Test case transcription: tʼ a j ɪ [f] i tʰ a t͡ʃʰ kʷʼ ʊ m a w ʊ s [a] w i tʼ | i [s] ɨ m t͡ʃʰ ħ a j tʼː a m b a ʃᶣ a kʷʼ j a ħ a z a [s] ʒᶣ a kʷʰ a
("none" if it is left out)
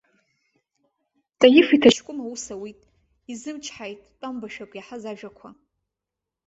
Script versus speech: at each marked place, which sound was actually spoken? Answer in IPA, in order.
f, a, z, none

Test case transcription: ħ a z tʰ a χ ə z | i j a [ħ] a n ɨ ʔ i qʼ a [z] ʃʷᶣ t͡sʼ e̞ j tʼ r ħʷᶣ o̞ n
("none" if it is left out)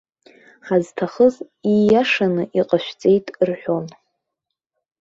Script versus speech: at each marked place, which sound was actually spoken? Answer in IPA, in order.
ʂ, none

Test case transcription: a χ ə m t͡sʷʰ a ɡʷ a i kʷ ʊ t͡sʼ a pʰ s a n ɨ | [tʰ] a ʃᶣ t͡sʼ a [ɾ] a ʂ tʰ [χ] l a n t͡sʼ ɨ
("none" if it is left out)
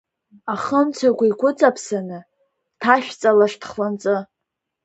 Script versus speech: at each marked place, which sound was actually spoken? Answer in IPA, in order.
tʰ, l, χ

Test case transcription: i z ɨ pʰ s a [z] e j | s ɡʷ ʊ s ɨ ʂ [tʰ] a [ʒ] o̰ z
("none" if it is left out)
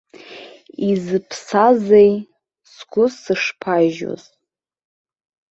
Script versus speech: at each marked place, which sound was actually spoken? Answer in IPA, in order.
z, pʰ, ʒ

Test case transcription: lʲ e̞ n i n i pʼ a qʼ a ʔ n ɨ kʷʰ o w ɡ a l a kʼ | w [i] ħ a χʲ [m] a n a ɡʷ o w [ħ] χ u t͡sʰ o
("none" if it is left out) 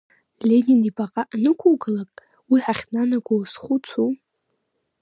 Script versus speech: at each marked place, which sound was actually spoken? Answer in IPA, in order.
i, n, s

